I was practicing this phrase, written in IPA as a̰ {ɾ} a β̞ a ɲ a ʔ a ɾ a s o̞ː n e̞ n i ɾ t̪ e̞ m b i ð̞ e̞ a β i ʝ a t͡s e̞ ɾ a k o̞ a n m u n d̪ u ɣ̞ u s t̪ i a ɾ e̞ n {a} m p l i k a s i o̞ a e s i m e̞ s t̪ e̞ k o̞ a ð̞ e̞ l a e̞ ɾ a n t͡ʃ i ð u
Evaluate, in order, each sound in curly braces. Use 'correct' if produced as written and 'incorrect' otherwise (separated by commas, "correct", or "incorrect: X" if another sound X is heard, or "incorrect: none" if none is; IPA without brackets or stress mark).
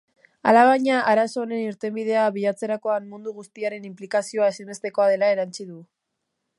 incorrect: l, incorrect: i